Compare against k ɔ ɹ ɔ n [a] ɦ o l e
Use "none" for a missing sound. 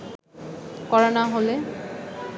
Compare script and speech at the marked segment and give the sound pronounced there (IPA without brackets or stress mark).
a